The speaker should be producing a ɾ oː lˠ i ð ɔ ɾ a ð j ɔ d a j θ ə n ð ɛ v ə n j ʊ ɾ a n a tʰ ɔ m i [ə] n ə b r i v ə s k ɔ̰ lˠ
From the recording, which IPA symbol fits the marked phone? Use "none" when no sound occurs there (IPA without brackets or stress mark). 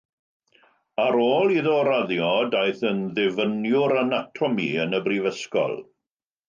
ə